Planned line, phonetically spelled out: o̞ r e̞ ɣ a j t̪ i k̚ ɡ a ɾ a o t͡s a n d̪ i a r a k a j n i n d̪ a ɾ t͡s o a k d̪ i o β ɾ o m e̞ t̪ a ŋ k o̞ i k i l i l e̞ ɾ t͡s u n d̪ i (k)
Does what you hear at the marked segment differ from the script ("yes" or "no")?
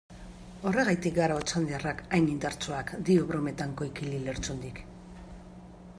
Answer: no